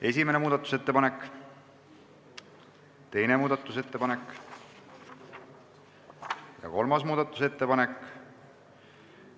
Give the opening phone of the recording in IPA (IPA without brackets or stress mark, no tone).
e̞